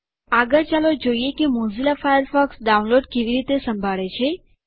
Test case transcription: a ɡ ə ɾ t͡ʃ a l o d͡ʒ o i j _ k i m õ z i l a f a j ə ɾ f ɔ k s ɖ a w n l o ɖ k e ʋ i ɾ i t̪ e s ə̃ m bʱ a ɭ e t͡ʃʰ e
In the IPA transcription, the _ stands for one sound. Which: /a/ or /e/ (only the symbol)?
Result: e